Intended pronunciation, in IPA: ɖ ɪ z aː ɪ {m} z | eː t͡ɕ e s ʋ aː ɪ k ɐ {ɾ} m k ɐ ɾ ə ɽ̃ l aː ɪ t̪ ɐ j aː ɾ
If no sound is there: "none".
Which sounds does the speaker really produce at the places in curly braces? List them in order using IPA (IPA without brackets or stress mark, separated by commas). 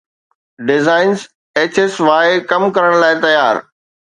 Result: n, none